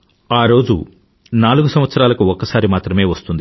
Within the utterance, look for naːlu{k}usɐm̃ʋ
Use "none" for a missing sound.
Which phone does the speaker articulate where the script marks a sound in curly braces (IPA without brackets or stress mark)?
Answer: ɡ